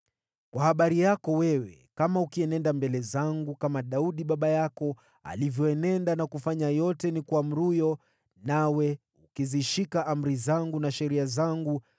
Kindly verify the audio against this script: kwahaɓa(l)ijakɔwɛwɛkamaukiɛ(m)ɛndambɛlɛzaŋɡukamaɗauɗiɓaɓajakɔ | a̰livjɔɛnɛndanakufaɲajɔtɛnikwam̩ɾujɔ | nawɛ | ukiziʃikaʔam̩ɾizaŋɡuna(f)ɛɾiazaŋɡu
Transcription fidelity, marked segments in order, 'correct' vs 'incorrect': incorrect: ɾ, incorrect: n, incorrect: ʃ

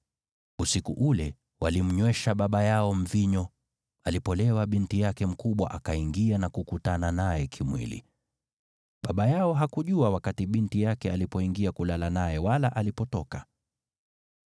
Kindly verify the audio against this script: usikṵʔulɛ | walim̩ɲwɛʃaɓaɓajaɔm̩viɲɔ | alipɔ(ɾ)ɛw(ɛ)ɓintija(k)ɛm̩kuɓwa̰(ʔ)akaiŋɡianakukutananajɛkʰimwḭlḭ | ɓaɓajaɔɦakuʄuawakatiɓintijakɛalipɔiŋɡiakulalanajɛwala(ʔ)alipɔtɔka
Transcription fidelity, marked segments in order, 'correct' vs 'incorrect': incorrect: l, incorrect: a, correct, correct, correct

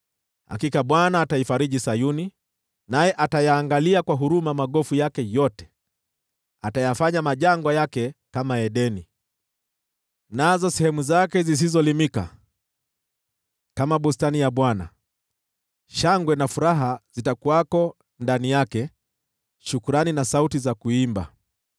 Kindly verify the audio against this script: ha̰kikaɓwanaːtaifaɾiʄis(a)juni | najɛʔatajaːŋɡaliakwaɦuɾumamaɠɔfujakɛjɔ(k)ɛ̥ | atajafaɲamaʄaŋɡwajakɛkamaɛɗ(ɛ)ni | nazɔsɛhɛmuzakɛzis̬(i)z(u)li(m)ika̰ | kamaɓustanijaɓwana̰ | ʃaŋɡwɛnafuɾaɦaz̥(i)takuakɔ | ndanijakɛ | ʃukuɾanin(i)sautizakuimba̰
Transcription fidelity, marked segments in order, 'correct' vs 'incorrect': correct, incorrect: t, correct, correct, incorrect: ɔ, correct, correct, incorrect: a

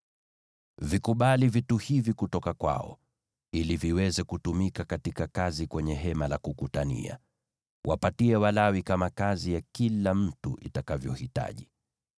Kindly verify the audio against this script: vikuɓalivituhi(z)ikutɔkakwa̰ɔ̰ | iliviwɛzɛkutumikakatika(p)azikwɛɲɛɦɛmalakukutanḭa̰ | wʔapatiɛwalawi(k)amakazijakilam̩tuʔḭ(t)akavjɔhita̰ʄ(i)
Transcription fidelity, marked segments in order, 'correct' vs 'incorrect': incorrect: v, incorrect: k, correct, correct, correct

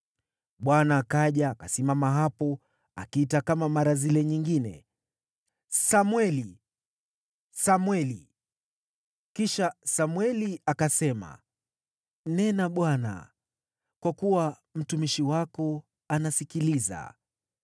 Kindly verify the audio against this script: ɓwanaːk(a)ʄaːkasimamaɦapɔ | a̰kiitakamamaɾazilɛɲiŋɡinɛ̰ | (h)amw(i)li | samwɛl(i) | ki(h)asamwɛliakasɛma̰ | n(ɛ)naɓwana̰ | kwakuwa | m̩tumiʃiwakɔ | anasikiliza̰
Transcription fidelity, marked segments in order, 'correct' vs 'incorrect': correct, incorrect: s, incorrect: ɛ, correct, incorrect: ʃ, correct

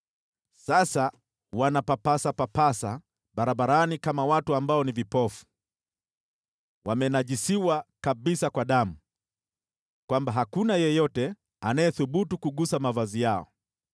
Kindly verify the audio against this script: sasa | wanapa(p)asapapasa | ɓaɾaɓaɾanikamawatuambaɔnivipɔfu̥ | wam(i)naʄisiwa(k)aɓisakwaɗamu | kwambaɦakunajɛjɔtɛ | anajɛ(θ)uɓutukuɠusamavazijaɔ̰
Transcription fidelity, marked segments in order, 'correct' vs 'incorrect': correct, incorrect: ɛ, correct, correct

